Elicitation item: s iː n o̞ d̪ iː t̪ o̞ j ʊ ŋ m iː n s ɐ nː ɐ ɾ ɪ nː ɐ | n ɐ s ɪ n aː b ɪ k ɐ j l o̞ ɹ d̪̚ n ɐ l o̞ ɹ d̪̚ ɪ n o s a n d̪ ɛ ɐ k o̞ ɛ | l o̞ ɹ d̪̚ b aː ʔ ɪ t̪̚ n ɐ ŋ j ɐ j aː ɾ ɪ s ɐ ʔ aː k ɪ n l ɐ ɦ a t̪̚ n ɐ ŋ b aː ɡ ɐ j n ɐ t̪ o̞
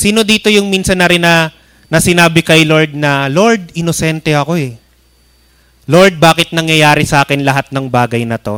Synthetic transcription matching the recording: s iː n o̞ d̪ iː t̪ o̞ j ʊ ŋ m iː n s ɐ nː ɐ ɾ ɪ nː ɐ | n ɐ s ɪ n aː b ɪ k ɐ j l o̞ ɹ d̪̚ n ɐ l o̞ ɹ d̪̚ ɪ n o s ɛ n t̪ ɛ ɐ k o̞ ɛ | l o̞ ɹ d̪̚ b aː k ɪ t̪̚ n ɐ ŋ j ɐ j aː ɾ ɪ s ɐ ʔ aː k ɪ n l ɐ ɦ a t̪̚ n ɐ ŋ b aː ɡ ɐ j n ɐ t̪ o̞